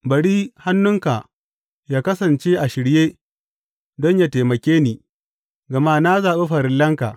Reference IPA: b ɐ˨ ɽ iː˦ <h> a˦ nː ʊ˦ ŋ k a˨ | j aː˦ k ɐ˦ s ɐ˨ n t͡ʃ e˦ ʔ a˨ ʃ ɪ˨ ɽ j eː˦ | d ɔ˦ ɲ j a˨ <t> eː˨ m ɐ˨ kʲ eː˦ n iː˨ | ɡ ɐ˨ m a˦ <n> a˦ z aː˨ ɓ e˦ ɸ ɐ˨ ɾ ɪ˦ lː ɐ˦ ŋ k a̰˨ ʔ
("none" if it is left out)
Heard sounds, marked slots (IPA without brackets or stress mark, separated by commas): h, t, n